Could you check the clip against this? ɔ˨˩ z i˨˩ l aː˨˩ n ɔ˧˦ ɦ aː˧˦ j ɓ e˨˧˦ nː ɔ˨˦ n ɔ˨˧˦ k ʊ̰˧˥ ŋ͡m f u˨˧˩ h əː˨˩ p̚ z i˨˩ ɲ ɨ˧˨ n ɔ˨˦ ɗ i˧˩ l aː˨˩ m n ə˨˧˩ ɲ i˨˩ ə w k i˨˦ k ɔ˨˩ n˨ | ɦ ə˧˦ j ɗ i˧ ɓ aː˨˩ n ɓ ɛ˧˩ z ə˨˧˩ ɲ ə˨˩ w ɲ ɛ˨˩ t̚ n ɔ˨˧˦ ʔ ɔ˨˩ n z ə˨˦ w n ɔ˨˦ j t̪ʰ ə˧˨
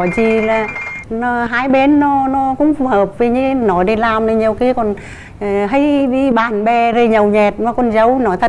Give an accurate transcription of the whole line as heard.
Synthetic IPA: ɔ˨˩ z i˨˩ l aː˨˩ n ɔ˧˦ ɦ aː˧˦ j ɓ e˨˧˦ nː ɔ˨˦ n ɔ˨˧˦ k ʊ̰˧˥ ŋ͡m f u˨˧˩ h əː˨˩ p̚ v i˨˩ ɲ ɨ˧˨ n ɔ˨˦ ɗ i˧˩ l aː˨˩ m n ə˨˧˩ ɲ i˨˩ ə w k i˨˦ k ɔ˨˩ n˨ | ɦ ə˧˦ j ɗ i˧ ɓ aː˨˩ n ɓ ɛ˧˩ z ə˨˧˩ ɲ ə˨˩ w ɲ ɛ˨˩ t̚ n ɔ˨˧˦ k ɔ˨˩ n z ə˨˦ w n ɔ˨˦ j t̪ʰ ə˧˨